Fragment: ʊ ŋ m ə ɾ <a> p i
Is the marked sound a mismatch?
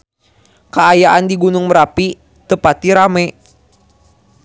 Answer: no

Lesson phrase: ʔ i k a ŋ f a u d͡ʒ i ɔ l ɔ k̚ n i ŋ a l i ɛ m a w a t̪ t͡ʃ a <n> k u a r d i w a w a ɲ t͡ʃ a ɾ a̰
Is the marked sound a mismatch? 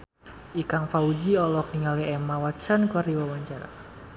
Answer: no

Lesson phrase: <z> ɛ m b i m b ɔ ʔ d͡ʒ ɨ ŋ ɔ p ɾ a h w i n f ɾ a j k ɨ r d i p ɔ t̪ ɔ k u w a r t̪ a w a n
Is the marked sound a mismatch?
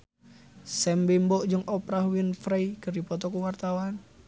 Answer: yes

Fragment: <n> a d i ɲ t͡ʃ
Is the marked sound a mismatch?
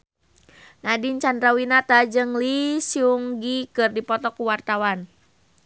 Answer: no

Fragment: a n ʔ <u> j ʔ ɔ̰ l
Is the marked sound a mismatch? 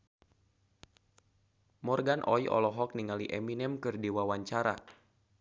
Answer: yes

